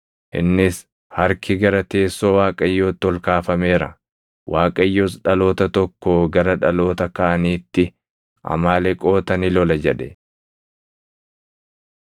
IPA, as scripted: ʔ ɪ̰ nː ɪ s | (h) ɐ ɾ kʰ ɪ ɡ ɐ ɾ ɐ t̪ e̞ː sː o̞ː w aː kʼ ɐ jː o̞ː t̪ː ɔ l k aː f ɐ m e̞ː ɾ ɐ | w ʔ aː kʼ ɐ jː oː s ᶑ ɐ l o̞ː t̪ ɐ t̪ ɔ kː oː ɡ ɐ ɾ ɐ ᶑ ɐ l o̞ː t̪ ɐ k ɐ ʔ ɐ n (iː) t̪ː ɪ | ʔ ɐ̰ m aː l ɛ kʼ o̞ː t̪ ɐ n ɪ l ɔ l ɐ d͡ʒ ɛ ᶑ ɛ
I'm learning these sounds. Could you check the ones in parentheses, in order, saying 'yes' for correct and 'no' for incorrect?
yes, yes

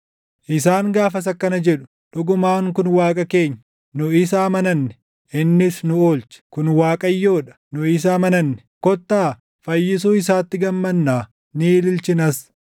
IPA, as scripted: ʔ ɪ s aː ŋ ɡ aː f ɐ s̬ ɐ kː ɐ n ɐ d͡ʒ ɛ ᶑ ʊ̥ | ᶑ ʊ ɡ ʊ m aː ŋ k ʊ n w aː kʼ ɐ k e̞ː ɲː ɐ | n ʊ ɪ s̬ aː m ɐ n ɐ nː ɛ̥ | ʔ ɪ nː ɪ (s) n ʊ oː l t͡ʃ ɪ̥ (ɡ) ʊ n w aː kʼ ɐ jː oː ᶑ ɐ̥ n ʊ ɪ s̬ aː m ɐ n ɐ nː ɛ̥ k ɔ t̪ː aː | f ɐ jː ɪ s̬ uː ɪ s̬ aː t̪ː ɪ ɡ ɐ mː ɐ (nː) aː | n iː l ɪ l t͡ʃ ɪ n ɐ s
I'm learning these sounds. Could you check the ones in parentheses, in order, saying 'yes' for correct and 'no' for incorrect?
yes, no, yes

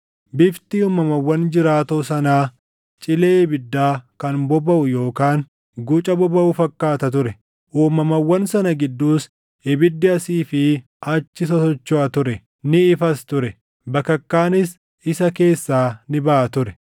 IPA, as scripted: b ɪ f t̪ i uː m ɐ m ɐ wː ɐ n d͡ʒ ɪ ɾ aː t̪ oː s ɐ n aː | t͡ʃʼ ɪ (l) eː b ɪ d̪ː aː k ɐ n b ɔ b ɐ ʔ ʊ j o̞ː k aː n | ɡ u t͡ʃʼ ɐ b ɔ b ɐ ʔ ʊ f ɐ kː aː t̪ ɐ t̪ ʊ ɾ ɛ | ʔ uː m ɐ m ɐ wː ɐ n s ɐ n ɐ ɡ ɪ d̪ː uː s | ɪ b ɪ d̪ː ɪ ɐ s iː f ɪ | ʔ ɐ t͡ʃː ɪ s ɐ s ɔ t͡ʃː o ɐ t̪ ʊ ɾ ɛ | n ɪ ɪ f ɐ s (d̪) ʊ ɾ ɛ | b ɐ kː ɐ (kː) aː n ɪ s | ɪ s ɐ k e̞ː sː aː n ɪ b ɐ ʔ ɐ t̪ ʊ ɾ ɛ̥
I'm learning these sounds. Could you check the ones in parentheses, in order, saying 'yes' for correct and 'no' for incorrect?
yes, no, yes

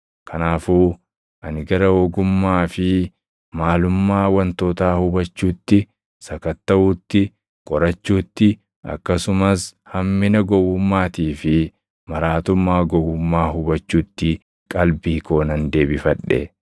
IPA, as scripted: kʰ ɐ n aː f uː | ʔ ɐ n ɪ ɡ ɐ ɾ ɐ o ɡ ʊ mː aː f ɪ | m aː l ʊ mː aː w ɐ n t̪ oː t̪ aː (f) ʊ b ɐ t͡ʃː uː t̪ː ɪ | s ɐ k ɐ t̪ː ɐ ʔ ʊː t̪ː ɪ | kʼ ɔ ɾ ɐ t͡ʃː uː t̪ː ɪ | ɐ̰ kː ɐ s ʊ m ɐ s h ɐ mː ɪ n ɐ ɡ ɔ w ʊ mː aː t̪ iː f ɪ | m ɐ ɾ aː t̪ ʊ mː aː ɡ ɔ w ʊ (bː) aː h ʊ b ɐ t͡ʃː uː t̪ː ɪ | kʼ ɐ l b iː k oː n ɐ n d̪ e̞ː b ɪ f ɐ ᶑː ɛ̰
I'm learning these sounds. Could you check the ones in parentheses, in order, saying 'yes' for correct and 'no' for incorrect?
no, no

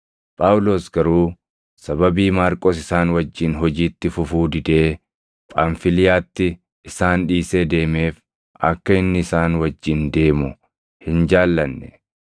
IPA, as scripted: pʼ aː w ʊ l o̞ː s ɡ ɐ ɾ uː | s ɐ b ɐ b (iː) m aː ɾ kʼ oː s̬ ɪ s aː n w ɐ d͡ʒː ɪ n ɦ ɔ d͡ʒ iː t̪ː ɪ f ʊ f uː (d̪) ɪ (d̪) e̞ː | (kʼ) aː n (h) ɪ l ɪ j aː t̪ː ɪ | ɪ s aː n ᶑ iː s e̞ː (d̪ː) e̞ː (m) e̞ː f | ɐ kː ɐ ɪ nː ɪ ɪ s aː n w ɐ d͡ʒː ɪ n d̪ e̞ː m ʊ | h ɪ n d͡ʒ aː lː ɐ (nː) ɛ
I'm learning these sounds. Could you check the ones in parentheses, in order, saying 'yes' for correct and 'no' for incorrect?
yes, yes, yes, no, no, no, yes, yes

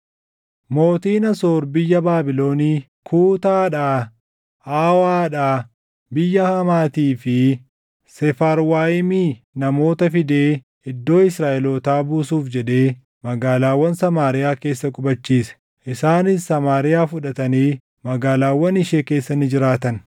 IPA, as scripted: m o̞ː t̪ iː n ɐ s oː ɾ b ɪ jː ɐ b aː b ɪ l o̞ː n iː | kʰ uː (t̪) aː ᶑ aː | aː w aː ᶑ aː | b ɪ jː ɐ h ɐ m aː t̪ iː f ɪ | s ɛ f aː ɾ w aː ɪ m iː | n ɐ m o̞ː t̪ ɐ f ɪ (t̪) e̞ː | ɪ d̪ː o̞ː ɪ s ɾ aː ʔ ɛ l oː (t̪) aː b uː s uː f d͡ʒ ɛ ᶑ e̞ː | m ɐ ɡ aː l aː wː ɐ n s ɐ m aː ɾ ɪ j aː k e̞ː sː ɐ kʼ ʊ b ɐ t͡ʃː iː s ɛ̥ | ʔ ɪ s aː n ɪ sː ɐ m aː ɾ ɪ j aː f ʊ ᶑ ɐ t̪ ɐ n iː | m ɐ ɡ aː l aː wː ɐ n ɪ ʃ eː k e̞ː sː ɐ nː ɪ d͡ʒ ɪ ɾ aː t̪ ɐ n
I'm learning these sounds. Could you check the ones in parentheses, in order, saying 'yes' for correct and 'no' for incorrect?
yes, no, yes

